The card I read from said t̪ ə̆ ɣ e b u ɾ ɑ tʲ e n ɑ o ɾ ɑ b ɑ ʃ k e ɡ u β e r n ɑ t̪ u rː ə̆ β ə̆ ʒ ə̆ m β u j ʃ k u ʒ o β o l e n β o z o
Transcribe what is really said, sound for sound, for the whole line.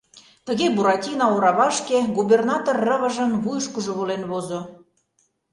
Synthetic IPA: t̪ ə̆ ɣ e b u ɾ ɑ tʲ i n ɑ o ɾ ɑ β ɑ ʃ k e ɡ u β e r n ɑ t̪ o rː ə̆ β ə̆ ʒ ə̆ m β u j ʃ k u ʒ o β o l e n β o z o